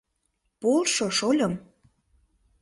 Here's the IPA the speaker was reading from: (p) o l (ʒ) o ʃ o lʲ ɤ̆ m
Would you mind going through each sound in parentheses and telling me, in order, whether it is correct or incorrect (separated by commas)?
correct, incorrect